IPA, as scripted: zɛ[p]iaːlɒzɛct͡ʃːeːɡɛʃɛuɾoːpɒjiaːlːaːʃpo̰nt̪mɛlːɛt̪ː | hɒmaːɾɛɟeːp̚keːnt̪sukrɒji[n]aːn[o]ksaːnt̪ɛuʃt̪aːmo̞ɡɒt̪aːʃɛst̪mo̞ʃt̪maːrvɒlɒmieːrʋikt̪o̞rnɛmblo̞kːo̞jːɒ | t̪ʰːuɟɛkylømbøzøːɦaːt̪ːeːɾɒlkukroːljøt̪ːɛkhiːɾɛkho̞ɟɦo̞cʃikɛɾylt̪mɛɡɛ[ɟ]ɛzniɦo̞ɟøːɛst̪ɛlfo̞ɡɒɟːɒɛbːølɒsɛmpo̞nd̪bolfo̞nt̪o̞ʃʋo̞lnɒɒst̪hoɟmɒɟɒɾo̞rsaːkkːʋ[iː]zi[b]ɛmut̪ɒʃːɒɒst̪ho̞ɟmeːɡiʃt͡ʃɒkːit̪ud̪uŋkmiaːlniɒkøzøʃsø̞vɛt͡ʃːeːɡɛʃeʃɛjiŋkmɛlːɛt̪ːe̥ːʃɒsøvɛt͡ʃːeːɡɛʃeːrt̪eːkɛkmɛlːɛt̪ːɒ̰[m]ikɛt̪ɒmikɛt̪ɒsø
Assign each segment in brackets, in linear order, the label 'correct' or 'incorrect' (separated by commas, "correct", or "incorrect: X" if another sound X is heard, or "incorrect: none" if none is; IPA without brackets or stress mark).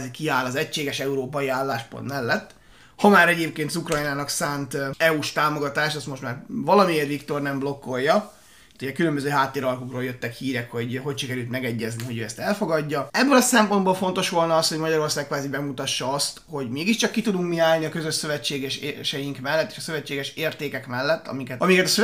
incorrect: k, correct, incorrect: ɒ, incorrect: ɟː, incorrect: aː, correct, correct